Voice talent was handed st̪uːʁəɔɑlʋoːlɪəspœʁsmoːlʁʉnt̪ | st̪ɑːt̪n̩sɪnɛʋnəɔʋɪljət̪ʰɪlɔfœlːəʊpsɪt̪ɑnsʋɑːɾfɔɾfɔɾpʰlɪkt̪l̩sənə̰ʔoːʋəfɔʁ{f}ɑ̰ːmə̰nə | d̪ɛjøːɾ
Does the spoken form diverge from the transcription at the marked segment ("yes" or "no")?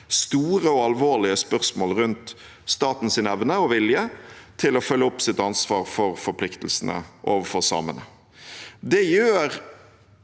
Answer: yes